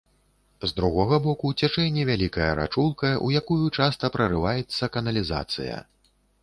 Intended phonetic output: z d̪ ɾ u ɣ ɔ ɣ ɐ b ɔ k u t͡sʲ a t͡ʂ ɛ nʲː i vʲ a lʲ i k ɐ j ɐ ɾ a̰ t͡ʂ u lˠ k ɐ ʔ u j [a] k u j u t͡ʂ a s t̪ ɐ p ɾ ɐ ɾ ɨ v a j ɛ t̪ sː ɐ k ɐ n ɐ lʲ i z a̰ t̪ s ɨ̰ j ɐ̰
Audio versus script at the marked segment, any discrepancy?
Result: no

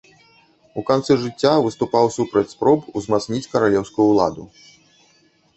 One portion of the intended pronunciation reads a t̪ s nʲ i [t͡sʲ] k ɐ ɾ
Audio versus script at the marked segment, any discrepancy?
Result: no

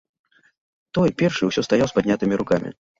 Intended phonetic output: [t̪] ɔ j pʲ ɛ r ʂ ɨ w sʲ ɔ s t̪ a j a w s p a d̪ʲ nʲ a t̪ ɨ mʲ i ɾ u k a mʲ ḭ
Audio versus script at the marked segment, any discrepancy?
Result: no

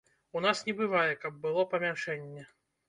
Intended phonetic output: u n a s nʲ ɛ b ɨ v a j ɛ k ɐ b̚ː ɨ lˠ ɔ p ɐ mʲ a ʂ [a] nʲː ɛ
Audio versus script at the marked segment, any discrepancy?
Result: yes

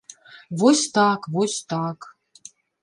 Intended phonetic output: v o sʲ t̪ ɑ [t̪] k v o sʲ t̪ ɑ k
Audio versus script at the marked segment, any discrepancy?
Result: yes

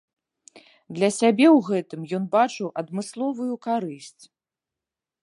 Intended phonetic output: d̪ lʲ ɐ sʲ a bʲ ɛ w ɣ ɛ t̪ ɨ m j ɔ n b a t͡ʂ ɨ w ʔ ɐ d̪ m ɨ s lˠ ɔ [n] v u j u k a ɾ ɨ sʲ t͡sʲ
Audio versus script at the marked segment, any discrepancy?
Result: yes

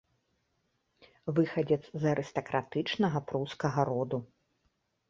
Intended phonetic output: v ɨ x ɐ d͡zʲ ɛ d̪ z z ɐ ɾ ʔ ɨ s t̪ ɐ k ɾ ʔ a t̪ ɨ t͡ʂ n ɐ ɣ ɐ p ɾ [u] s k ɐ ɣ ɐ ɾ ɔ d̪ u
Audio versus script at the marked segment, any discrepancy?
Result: no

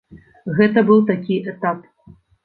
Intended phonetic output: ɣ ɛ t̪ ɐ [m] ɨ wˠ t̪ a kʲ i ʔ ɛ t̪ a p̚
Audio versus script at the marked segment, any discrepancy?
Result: yes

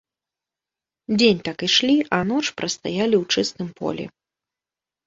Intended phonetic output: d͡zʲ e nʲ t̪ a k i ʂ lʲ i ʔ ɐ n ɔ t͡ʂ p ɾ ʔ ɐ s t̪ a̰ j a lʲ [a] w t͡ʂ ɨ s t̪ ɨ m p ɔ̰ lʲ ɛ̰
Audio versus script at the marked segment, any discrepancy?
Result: yes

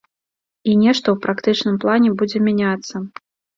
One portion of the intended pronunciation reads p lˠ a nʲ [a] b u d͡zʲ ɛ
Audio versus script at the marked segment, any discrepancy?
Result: yes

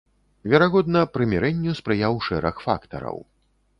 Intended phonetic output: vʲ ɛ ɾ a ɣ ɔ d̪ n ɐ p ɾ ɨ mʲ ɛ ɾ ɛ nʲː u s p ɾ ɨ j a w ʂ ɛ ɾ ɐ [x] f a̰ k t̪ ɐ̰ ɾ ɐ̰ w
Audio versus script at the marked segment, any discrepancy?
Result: no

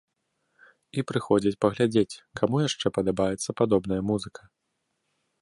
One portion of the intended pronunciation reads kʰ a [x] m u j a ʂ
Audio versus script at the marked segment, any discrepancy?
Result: yes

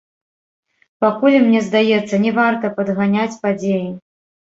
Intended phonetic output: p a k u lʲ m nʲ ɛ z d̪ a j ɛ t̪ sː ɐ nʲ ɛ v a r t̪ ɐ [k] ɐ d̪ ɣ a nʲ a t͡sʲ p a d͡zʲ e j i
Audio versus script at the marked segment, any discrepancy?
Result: yes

